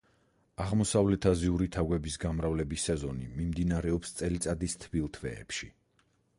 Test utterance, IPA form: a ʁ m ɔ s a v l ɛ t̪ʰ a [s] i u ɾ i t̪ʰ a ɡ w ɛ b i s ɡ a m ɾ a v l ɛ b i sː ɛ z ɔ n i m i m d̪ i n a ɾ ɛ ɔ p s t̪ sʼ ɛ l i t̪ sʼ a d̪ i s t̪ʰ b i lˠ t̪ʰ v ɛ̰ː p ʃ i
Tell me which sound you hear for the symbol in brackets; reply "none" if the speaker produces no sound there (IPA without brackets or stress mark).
z